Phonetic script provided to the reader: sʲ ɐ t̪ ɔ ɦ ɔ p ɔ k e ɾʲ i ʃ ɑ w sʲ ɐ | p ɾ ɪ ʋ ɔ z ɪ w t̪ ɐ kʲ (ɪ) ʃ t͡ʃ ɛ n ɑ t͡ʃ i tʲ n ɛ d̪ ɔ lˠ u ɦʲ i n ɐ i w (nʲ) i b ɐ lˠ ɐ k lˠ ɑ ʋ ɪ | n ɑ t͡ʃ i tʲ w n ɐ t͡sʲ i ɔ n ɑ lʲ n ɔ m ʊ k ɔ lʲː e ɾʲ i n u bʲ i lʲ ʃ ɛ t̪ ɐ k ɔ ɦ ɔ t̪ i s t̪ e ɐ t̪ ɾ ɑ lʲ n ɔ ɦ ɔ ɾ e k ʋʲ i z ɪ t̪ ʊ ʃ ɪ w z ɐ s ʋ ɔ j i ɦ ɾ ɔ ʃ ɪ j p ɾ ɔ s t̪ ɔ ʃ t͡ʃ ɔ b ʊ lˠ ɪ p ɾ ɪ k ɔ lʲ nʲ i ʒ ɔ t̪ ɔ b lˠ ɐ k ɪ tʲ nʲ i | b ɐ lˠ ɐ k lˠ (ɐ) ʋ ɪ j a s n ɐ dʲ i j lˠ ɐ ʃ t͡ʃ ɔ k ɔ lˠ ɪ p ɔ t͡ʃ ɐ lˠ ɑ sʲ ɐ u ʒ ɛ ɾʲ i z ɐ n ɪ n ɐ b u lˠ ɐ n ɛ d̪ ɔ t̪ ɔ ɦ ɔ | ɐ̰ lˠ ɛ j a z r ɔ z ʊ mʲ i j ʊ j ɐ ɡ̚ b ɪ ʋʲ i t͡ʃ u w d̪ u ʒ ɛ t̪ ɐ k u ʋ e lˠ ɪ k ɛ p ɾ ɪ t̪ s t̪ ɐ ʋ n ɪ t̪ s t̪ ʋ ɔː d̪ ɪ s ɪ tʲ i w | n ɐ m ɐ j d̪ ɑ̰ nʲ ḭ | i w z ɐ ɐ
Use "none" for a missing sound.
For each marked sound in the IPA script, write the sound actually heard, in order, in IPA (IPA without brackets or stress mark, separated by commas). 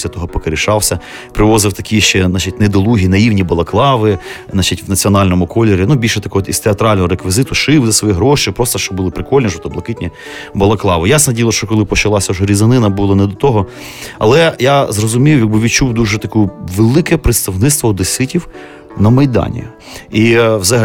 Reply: i, nʲ, ɑ